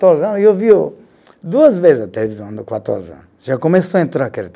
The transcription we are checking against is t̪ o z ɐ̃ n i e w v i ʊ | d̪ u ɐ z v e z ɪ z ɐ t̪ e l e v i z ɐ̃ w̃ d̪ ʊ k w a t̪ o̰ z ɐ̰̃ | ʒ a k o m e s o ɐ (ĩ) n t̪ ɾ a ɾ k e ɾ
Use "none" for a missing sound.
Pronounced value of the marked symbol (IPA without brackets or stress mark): ẽ